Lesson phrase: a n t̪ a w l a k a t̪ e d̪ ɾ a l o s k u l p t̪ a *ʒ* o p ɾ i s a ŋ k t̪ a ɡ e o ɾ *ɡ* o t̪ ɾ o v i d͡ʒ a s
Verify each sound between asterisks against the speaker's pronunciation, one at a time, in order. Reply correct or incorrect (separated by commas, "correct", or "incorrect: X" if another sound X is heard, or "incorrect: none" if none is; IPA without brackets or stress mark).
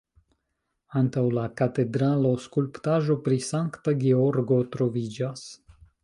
correct, correct